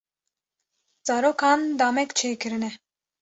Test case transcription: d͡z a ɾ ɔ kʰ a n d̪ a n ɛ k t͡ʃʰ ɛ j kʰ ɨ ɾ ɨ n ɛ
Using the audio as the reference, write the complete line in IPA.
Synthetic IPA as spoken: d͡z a ɾ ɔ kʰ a n d̪ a m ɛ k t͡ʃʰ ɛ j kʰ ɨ ɾ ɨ n ɛ